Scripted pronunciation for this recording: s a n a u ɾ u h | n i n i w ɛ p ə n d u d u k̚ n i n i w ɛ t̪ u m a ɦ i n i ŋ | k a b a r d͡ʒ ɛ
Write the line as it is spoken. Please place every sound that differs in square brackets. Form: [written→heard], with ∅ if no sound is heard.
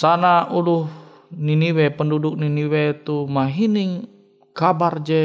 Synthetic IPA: s a n a u [ɾ→l] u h | n i n i w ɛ p ə n d u d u k̚ n i n i w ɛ t̪ u m a ɦ i n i ŋ | k a b a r d͡ʒ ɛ